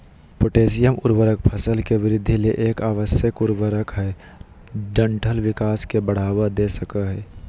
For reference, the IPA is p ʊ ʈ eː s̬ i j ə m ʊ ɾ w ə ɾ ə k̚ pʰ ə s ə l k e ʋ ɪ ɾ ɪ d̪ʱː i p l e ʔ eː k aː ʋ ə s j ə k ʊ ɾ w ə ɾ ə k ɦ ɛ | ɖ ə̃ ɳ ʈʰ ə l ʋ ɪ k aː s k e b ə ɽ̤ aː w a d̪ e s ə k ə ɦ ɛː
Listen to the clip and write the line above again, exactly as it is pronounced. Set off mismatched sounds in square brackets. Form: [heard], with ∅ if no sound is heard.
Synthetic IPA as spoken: p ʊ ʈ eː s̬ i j ə m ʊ ɾ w ə ɾ ə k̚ pʰ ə s ə l k e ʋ ɪ ɾ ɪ d̪ʱː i [∅] l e ʔ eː k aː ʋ ə s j ə k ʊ ɾ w ə ɾ ə k ɦ ɛ | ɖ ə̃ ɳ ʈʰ ə l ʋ ɪ k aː s k e b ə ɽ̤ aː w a d̪ e s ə k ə ɦ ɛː